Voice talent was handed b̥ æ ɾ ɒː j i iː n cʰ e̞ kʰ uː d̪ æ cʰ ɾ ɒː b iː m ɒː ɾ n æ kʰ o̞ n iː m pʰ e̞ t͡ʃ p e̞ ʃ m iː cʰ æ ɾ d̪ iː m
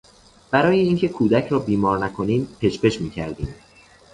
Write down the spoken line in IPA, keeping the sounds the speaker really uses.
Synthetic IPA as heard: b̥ æ ɾ ɒː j e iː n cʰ e̞ kʰ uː d̪ æ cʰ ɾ ɒː b iː m ɒː ɾ n æ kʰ o̞ n iː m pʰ e̞ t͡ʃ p e̞ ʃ m iː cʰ æ ɾ d̪ iː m